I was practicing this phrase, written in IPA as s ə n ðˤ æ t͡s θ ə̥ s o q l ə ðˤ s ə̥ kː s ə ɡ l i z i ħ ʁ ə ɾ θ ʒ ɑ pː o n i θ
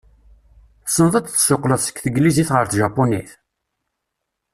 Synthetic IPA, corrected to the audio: s ə n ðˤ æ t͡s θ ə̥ s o q l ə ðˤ s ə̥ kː θ ə ɡ l i z i θ ʁ ə ɾ θ ʒ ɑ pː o n i θ